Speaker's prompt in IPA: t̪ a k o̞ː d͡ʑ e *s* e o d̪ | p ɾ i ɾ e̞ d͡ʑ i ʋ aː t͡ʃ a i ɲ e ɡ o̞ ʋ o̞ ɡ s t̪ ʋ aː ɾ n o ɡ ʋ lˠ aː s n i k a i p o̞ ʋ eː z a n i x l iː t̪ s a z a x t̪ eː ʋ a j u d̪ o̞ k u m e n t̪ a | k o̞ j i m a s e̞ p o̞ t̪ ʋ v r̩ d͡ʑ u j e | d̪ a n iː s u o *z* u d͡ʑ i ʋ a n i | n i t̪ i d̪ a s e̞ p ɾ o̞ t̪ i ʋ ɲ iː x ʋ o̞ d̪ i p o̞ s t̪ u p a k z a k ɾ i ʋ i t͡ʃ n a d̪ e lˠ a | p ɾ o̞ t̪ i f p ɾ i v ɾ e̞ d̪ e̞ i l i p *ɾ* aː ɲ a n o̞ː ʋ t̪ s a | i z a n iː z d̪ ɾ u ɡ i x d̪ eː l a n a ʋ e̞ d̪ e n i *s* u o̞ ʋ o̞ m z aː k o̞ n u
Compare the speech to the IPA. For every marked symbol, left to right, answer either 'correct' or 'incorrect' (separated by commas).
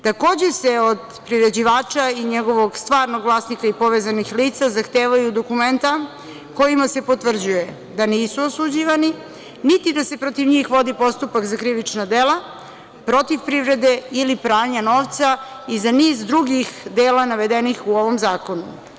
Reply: correct, incorrect, correct, incorrect